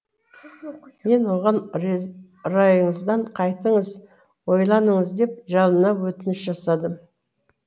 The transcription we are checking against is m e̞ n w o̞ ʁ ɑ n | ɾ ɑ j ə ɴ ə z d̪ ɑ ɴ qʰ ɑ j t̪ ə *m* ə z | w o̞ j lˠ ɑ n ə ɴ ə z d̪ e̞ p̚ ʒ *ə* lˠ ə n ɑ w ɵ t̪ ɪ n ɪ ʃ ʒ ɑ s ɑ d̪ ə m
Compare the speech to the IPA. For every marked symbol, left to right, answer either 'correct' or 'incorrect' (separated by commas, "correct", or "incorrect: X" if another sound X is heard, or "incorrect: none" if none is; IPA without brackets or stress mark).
incorrect: ɴ, incorrect: ɑ